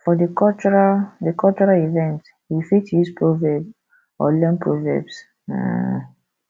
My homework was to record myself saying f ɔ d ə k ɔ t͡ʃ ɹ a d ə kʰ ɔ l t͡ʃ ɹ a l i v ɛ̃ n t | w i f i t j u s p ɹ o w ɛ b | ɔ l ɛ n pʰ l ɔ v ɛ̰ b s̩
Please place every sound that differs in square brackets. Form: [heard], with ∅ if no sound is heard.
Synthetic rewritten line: f ɔ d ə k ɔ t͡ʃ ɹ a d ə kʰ ɔ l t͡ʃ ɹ a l i v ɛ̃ n t | w i f i t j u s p ɹ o [v] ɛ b | ɔ l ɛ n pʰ [ɹ] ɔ v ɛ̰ b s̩